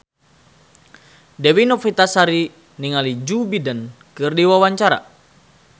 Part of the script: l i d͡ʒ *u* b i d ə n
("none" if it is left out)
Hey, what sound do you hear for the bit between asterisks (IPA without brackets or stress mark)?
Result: u